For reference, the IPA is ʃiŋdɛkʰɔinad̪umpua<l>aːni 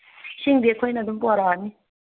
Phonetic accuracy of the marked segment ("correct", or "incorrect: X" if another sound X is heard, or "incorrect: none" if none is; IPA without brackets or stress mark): incorrect: ɾ